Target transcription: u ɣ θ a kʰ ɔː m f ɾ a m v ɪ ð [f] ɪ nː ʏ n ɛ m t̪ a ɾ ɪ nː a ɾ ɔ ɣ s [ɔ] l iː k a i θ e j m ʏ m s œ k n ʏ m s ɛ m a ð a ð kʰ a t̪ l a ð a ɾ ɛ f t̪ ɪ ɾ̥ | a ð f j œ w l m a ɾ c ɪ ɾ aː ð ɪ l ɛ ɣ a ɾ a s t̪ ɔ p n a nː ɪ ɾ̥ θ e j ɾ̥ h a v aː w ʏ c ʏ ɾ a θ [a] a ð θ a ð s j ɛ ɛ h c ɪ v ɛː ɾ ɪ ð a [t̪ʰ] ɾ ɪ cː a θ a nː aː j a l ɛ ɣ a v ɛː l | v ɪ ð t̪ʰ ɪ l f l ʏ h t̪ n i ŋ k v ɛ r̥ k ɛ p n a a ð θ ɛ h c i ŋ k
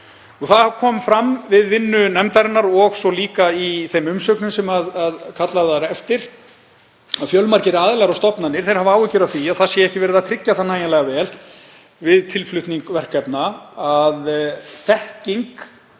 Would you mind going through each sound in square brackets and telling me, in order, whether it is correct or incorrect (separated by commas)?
incorrect, correct, incorrect, correct